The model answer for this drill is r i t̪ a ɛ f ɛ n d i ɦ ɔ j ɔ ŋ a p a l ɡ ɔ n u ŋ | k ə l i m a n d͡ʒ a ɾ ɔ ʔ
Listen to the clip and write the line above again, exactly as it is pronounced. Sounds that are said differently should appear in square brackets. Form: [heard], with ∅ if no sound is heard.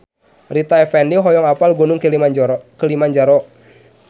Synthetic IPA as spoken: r i t̪ a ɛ f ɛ n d i ɦ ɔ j ɔ ŋ a p a l ɡ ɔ n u ŋ | k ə l i m a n d͡ʒ a ɾ ɔ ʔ

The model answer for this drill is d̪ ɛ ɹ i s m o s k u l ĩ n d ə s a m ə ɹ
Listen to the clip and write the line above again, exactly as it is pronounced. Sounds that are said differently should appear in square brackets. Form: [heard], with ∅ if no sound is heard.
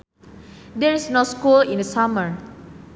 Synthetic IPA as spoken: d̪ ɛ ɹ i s [n] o s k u l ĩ n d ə s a m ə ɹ

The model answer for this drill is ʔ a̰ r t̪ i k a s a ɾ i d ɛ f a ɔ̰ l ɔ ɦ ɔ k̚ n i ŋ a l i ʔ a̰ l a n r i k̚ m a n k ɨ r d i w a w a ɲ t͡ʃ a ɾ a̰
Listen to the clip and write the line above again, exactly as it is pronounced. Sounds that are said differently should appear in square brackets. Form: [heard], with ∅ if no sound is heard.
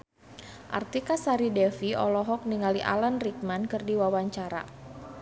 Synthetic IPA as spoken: ʔ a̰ r t̪ i k a s a ɾ i d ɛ f [i] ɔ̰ l ɔ ɦ ɔ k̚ n i ŋ a l i ʔ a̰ l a n r i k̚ m a n k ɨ r d i w a w a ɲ t͡ʃ a ɾ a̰

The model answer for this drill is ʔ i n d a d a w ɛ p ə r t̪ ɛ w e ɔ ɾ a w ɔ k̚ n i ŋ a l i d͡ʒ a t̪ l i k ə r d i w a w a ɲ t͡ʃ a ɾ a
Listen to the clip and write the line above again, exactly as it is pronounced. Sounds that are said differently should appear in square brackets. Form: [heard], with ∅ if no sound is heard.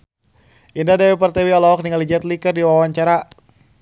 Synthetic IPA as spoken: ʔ i n d a d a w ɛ p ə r t̪ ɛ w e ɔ [l] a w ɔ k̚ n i ŋ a l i d͡ʒ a t̪ l i k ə r d i w a w a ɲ t͡ʃ a ɾ a

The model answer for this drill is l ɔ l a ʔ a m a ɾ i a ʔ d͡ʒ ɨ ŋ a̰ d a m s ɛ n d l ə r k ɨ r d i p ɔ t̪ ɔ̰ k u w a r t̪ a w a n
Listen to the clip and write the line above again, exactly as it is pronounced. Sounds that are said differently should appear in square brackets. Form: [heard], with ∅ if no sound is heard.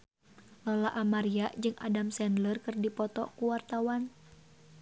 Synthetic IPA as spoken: l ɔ l a ʔ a m a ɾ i a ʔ d͡ʒ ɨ ŋ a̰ d a m s ɛ n d l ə r k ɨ r d i p ɔ t̪ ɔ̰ k u w a r t̪ a w a n

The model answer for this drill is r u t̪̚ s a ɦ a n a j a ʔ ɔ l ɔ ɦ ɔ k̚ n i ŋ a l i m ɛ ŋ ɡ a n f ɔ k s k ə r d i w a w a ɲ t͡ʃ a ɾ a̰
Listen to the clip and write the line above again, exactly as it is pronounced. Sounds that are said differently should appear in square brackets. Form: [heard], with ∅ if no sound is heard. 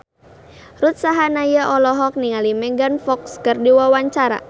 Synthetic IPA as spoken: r u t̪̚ s a ɦ a n a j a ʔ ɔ l ɔ ɦ ɔ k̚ n i ŋ a l i m ɛ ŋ ɡ a n f ɔ k s k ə r d i w a w a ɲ t͡ʃ a ɾ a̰

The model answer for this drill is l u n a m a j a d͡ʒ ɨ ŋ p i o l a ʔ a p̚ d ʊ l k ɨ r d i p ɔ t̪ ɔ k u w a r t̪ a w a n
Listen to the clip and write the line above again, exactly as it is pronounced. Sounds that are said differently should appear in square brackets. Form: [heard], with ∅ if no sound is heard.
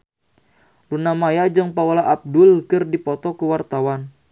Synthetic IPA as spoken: l u n a m a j a d͡ʒ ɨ ŋ p [a] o l a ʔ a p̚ d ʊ l k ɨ r d i p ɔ t̪ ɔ k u w a r t̪ a w a n

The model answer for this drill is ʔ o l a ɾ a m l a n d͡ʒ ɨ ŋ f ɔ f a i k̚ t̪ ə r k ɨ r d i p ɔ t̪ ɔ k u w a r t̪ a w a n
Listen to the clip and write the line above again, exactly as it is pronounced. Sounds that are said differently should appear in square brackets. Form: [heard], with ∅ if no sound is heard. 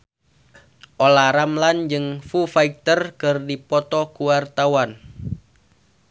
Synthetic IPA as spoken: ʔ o l a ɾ a m l a n d͡ʒ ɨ ŋ f [u] f a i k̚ t̪ ə r k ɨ r d i p ɔ t̪ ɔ k u w a r t̪ a w a n

